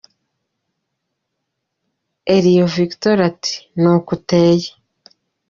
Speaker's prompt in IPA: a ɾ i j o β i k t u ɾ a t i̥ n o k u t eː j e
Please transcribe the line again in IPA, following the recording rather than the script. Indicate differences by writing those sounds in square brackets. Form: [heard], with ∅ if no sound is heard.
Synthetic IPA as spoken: [e] ɾ i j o [v] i k t [o] ɾ a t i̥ n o k u t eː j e